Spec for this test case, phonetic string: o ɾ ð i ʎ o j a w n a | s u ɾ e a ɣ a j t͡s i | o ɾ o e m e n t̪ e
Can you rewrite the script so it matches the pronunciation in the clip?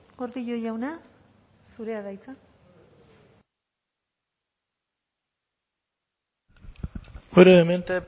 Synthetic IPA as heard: o ɾ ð i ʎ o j a w n a | s u ɾ e a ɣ a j t͡s a | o ɾ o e m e n t̪ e